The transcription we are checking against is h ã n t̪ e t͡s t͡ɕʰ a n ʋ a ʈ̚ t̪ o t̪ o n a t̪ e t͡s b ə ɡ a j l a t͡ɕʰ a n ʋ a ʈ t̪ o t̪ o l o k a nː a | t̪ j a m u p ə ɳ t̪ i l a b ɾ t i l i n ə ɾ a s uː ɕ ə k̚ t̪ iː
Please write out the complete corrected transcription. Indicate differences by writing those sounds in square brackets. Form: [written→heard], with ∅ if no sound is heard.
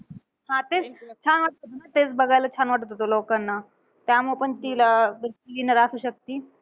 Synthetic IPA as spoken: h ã [n→∅] t̪ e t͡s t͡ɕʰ a n ʋ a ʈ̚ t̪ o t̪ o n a t̪ e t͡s b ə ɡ a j l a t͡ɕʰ a n ʋ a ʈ t̪ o t̪ o l o k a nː a | t̪ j a m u p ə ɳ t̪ i l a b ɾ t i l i n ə ɾ a s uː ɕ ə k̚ t̪ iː